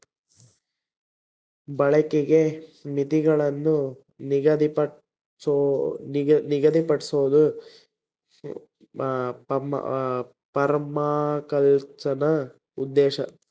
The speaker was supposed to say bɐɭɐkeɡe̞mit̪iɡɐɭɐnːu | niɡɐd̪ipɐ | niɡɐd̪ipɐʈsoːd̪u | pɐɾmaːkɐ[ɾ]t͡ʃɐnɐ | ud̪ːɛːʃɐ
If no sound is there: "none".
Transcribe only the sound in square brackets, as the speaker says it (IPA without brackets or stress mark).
l